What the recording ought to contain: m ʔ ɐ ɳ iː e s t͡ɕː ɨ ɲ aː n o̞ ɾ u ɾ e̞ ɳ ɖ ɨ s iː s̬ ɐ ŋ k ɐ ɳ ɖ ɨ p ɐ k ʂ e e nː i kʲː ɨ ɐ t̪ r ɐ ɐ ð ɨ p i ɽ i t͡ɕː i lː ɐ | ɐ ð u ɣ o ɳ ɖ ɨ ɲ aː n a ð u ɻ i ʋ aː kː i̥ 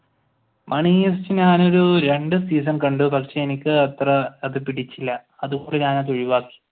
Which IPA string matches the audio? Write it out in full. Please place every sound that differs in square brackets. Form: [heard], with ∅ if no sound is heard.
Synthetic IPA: m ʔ ɐ ɳ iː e s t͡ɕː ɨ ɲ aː n o̞ ɾ u ɾ e̞ ɳ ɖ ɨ s iː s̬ ɐ [n] k ɐ ɳ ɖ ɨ p ɐ k ʂ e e [n] i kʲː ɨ ɐ t̪ r ɐ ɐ ð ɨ p i ɽ i t͡ɕː i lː ɐ | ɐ ð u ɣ o ɳ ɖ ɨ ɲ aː n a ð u ɻ i ʋ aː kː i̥